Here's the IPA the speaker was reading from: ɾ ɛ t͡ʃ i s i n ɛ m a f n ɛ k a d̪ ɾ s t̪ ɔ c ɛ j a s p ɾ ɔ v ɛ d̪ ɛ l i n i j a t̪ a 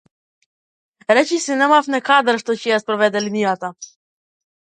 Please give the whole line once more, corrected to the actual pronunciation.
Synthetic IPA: ɾ ɛ t͡ʃ i s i n ɛ m a f n ɛ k a d̪ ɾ ʃ t̪ ɔ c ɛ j a s p ɾ ɔ v ɛ d̪ ɛ l i n i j a t̪ a